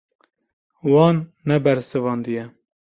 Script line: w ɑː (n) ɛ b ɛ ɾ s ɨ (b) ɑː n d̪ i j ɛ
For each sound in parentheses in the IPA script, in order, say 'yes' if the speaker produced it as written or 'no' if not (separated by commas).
no, no